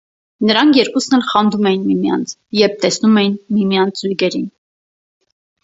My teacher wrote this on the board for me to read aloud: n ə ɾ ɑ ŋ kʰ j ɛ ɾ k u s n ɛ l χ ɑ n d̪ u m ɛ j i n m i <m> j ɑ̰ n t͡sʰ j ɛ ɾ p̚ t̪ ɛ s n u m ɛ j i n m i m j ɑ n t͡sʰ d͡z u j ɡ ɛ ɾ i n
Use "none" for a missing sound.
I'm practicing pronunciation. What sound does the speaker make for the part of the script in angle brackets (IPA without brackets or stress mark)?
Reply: m